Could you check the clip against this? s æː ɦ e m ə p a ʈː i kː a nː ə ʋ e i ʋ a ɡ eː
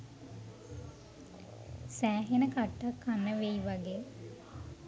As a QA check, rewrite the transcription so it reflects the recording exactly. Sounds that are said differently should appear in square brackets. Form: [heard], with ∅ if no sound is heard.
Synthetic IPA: s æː ɦ e [n] ə [k] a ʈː [a] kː a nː ə ʋ e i ʋ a ɡ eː